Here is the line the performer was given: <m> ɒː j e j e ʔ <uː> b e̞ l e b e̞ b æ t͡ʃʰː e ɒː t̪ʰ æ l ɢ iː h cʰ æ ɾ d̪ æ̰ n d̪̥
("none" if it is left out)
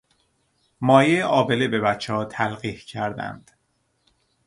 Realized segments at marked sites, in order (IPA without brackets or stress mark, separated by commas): m, ɒː